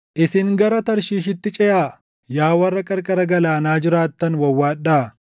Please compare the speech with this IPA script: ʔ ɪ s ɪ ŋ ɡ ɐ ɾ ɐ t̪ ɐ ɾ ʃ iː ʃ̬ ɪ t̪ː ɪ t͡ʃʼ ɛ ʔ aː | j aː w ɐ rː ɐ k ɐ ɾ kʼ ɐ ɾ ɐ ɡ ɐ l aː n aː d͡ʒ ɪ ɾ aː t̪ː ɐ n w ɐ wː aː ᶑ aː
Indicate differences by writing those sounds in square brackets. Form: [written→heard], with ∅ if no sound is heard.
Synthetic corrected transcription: ʔ ɪ s ɪ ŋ ɡ ɐ ɾ ɐ t̪ ɐ ɾ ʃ iː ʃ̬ ɪ t̪ː ɪ t͡ʃʼ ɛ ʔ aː | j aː w ɐ rː ɐ [k→kʼ] ɐ ɾ kʼ ɐ ɾ ɐ ɡ ɐ l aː n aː d͡ʒ ɪ ɾ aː t̪ː ɐ n w ɐ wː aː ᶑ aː